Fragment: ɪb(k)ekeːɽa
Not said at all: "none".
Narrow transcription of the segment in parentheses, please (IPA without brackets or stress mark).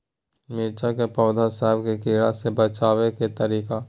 k